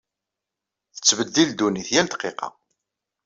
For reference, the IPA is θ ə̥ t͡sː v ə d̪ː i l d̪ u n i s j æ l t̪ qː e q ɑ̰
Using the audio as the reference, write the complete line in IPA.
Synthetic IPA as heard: θ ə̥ t͡sː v ə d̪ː i l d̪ u n i θ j æ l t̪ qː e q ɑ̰